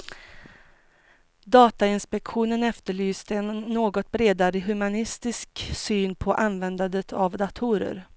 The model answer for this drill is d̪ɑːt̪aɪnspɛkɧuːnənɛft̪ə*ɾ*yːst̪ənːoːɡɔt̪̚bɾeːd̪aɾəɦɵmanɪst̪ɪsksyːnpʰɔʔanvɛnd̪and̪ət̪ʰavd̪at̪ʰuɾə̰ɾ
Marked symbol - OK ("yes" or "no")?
no